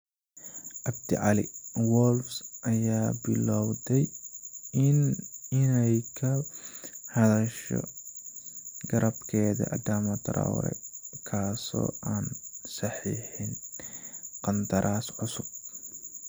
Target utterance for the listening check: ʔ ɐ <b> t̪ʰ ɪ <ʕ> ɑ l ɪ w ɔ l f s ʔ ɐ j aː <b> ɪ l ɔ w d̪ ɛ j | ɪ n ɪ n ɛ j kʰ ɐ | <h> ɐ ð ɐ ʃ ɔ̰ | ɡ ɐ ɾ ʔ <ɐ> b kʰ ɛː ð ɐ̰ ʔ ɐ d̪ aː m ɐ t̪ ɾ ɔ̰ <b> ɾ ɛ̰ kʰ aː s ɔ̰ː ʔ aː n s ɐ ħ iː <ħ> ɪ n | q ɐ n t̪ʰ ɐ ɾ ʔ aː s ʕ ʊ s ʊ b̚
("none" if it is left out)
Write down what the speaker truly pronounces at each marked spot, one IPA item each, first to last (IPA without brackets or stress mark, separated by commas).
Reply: b, ʕ, b, h, ɐ, w, ħ